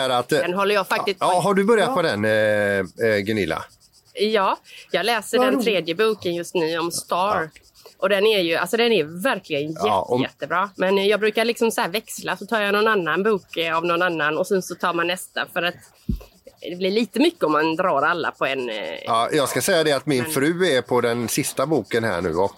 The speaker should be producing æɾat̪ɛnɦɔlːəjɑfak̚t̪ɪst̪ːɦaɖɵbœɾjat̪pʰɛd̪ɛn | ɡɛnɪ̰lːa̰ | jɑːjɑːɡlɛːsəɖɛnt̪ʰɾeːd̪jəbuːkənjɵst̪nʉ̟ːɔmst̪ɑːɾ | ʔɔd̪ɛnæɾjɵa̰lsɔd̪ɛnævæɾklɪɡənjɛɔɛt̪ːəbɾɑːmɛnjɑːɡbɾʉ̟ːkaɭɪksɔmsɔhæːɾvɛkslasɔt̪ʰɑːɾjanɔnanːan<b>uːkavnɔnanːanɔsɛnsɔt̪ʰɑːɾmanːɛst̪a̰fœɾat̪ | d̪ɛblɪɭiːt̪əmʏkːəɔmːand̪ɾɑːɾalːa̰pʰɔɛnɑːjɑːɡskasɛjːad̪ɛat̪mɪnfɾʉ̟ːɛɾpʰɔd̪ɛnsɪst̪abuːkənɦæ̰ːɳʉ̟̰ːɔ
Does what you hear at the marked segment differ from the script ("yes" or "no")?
no